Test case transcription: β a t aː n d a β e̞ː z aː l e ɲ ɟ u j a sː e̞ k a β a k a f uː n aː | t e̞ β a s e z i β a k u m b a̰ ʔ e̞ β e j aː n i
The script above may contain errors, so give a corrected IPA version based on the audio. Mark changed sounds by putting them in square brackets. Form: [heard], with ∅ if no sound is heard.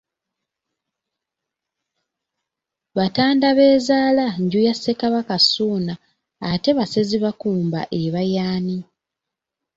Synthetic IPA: β a t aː n d a β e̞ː z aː l [a] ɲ ɟ u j a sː e̞ k a β a k a [s] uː n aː | t e̞ β a s e z i β a k [uː] m b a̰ ʔ e̞ β [a] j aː n i